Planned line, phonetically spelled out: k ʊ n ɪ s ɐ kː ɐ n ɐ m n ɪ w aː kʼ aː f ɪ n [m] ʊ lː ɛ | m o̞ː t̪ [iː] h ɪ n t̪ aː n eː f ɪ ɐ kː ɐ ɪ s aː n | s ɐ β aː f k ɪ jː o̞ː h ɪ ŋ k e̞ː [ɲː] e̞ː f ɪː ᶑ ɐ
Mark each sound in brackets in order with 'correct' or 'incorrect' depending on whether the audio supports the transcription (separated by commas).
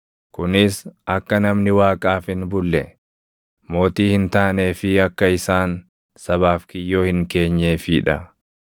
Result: incorrect, correct, correct